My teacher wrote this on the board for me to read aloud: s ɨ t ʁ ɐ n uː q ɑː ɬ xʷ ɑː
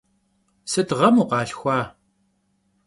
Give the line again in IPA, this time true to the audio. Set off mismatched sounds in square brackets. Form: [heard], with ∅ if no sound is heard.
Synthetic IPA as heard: s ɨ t ʁ ɐ [m] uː q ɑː ɬ xʷ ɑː